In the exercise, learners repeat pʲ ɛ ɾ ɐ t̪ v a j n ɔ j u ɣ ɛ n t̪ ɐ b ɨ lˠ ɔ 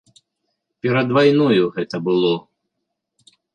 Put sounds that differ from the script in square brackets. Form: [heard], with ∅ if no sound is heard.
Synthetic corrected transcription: pʲ ɛ ɾ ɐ [d̪] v a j n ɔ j u ɣ ɛ [∅] t̪ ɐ b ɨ lˠ ɔ